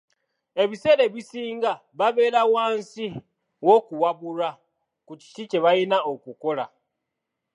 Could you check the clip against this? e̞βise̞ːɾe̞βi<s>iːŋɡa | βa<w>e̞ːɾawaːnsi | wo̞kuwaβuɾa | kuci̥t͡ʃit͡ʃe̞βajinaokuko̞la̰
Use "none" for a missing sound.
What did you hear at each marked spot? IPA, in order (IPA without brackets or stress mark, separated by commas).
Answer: s, β